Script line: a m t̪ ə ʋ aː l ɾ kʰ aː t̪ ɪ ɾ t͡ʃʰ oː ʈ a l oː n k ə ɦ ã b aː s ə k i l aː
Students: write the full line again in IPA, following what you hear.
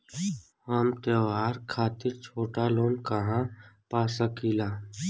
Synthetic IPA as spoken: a m t̪ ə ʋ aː ɾ kʰ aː t̪ ɪ ɾ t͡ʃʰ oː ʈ a l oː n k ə ɦ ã p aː s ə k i l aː